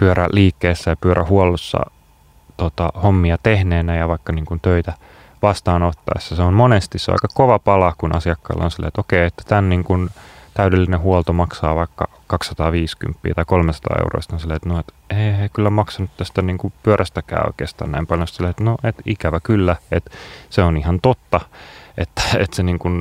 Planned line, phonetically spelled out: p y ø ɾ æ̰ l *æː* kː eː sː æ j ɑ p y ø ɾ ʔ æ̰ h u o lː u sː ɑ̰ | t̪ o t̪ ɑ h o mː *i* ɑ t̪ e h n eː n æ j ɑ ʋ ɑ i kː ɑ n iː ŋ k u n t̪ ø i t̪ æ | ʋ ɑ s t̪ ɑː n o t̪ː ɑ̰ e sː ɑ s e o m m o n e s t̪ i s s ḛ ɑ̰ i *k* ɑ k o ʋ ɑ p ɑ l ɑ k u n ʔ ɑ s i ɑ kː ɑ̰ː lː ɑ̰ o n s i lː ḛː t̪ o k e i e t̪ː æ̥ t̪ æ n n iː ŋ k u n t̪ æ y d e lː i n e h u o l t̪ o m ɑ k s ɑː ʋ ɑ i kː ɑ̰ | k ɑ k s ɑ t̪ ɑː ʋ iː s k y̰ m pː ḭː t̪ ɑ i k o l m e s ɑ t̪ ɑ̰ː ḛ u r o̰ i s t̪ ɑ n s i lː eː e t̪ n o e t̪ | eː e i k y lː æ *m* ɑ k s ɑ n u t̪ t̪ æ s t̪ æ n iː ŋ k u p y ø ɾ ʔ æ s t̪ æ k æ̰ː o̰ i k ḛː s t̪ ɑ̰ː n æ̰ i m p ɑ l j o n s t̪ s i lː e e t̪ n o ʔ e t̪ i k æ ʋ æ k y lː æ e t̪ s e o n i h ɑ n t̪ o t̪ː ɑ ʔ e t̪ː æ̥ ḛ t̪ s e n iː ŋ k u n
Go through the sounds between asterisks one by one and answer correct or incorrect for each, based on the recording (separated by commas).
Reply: incorrect, correct, correct, correct